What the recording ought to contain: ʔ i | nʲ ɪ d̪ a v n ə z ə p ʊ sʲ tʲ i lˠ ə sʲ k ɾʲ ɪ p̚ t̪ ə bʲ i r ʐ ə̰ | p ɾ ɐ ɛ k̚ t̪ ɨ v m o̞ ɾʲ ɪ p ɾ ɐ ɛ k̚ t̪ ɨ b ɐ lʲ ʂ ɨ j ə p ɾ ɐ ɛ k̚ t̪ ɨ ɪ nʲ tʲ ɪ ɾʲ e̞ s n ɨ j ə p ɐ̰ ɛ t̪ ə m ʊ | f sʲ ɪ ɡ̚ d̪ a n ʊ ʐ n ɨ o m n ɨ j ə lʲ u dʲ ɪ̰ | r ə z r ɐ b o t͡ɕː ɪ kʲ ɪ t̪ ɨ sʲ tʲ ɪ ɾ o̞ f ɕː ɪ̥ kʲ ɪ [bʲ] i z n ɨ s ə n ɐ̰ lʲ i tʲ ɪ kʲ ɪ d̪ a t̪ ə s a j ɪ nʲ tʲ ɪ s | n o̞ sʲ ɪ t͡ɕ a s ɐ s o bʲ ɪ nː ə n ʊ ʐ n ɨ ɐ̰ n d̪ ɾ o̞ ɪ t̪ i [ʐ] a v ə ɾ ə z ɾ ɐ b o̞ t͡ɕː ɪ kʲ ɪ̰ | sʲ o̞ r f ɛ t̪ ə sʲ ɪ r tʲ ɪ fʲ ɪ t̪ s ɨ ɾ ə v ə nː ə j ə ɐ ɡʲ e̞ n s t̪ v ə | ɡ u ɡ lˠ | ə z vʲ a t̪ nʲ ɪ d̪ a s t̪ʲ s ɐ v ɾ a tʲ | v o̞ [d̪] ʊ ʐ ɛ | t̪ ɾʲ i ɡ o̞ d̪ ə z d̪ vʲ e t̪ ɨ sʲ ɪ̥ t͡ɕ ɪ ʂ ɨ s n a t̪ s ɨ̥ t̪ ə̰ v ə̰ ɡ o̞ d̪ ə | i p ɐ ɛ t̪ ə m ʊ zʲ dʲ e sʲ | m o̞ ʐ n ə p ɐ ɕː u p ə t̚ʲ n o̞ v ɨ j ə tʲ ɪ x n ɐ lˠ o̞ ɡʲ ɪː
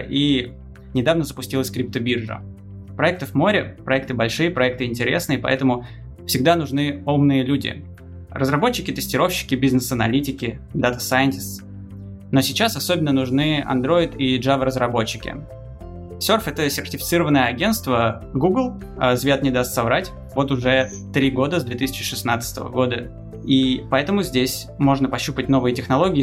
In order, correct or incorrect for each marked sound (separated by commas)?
correct, correct, incorrect